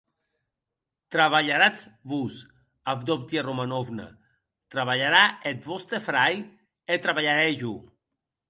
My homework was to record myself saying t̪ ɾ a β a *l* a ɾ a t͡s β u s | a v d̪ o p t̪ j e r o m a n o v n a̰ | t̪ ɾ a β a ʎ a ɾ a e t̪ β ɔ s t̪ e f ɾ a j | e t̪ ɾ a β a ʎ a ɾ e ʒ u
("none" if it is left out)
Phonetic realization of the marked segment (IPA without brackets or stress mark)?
ʎ